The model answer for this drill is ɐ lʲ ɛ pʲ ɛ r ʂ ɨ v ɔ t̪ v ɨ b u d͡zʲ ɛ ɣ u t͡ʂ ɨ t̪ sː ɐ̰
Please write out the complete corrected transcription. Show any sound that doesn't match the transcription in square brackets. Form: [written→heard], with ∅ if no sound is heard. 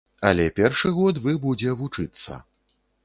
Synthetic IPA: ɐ lʲ ɛ pʲ ɛ r ʂ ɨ [v→ɣ] ɔ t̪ v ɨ b u d͡zʲ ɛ [ɣ→v] u t͡ʂ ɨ t̪ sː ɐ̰